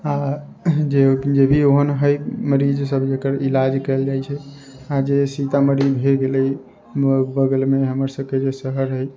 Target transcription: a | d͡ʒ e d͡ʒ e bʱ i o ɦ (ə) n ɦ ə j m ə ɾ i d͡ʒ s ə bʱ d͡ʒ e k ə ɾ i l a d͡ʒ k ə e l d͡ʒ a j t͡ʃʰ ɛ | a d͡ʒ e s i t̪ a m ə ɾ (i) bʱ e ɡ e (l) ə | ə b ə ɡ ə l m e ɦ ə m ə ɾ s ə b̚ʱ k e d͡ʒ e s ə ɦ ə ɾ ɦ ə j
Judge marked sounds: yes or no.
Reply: yes, yes, yes

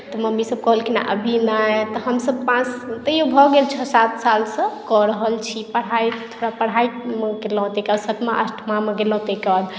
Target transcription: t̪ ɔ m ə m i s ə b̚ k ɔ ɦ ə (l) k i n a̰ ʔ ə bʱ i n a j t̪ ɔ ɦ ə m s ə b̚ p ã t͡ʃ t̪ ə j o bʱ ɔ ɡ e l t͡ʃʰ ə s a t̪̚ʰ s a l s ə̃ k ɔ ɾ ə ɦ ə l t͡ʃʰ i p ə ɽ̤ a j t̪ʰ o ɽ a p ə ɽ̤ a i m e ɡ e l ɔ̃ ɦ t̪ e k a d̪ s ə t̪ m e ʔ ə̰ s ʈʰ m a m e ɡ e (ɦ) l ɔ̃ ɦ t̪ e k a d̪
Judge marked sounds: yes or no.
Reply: yes, no

